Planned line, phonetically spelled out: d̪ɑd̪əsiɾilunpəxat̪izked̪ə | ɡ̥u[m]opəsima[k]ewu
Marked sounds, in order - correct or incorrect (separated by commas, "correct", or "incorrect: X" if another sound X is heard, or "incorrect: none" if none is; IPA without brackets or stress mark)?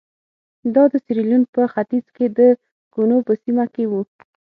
incorrect: n, correct